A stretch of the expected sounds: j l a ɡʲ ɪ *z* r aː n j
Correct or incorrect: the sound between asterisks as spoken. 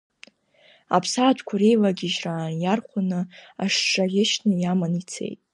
incorrect: ʒ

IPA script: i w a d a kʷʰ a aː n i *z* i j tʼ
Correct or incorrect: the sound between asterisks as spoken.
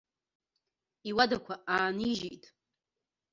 incorrect: ʒ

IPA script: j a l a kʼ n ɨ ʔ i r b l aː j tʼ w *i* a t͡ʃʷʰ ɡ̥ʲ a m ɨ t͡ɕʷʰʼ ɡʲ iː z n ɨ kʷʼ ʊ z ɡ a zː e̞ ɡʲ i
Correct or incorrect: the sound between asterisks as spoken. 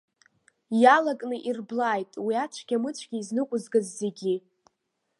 correct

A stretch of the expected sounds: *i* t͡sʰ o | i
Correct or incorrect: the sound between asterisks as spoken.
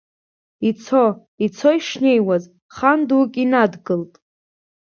correct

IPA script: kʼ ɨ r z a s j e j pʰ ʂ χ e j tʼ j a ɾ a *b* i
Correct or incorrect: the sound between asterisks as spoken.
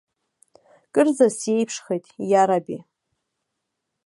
correct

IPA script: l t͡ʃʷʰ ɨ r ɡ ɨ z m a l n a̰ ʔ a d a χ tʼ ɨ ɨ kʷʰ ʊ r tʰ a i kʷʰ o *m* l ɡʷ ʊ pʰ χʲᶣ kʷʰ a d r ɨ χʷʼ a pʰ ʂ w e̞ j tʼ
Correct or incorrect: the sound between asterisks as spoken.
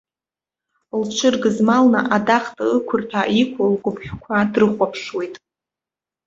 incorrect: none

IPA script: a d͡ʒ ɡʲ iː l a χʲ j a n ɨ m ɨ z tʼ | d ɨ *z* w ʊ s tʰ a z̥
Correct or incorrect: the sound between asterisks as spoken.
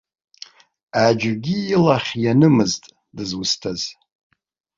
correct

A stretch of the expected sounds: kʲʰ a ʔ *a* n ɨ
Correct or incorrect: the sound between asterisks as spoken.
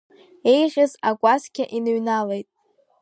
incorrect: i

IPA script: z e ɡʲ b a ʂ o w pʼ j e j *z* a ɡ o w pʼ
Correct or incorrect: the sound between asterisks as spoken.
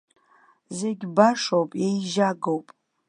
incorrect: ʒ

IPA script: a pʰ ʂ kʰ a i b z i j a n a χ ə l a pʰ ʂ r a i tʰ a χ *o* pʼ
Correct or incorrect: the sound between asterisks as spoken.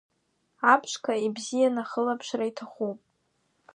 incorrect: u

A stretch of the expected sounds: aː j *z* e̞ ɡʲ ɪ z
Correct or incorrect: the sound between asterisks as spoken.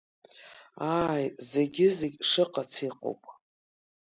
correct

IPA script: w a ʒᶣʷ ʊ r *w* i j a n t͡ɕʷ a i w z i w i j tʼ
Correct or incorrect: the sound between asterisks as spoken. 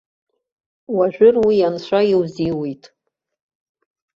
correct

